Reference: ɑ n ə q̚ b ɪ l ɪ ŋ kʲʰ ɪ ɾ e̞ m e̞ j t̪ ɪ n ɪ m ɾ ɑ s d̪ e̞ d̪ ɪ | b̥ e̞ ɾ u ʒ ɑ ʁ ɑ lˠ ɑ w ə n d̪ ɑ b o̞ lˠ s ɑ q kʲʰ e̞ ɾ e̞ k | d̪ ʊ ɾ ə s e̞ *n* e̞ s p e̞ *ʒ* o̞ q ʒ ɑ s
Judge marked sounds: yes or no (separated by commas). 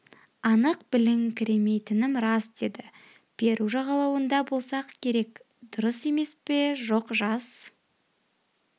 no, yes